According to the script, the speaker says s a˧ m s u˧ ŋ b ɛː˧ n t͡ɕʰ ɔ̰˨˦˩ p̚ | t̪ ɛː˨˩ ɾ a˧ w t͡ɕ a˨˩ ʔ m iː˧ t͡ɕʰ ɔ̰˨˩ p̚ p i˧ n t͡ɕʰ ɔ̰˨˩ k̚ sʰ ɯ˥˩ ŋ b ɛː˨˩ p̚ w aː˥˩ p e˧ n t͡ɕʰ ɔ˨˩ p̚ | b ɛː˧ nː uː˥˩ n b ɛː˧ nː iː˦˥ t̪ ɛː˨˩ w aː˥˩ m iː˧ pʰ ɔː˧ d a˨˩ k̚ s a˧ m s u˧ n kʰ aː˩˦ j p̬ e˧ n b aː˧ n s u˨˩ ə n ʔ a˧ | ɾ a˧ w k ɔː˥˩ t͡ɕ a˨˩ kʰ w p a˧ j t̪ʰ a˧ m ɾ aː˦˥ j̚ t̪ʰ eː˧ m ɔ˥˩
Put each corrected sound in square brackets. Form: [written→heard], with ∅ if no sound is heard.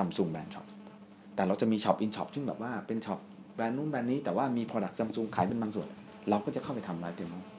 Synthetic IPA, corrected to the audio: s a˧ m s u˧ ŋ b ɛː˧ n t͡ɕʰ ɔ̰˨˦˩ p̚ | t̪ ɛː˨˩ ɾ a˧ w t͡ɕ a˨˩ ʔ m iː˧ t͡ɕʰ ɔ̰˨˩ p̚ [p→ʔ] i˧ n t͡ɕʰ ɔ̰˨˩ [k̚→p̚] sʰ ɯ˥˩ ŋ b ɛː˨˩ p̚ w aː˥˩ p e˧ n t͡ɕʰ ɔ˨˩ p̚ | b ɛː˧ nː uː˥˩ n b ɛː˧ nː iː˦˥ t̪ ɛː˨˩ w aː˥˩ m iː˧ pʰ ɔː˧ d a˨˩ k̚ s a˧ m s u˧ [n→ŋ] kʰ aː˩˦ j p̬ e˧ n b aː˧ [n→ŋ] s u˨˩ ə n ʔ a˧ | ɾ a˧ w k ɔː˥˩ t͡ɕ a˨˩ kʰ w p a˧ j t̪ʰ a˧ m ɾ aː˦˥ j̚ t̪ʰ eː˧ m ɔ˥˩